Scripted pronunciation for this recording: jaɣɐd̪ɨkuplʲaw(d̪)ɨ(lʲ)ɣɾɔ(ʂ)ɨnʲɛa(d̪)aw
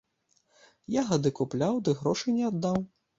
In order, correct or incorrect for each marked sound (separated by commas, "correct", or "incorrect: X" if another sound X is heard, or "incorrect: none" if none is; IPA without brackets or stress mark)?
correct, incorrect: none, correct, incorrect: d̪ː